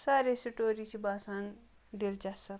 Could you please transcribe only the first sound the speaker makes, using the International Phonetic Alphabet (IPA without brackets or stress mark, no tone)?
s